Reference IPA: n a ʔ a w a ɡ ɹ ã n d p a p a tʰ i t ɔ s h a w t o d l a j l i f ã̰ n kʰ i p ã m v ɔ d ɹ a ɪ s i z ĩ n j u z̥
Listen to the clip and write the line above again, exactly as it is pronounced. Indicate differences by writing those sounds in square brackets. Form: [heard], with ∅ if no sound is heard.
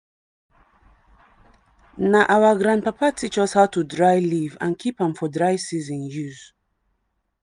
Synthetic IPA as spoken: n a ʔ a w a ɡ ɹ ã n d p a p a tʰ i [t͡ʃ] ɔ s h a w t [u] d [ɹ] a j l i [v] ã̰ n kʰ i p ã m [f] ɔ d ɹ a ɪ s i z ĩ n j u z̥